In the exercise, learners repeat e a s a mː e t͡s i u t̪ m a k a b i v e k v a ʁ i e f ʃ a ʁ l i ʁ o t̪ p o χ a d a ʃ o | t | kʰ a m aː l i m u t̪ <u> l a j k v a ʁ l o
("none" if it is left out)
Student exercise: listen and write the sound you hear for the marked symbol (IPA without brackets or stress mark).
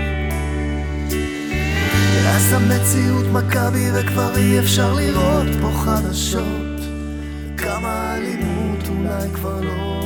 u